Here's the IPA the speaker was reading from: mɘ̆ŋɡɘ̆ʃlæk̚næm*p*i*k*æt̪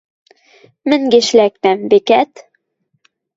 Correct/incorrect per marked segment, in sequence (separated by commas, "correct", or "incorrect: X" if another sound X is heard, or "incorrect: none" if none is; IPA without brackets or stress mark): incorrect: b, correct